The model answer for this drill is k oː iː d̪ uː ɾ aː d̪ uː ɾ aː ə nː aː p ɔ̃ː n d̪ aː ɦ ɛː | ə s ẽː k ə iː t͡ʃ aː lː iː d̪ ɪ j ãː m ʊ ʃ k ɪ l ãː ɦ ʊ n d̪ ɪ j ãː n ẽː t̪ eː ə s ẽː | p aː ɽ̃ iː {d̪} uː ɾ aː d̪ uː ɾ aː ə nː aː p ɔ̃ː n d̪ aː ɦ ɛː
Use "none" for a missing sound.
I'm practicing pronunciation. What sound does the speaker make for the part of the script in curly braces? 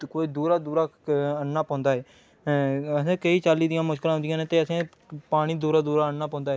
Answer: d̪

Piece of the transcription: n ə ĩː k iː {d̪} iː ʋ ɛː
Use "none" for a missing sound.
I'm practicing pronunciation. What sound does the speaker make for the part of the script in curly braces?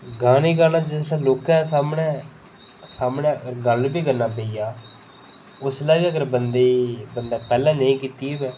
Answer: t̪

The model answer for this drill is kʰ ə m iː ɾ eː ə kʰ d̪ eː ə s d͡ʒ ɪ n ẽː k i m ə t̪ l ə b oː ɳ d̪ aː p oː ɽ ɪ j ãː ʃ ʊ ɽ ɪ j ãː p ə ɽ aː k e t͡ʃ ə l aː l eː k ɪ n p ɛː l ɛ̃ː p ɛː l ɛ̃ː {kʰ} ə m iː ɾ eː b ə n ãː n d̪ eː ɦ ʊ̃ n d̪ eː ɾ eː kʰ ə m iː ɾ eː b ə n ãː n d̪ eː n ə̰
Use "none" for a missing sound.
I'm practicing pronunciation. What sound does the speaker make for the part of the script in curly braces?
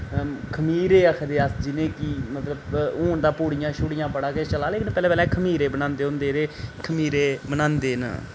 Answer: kʰ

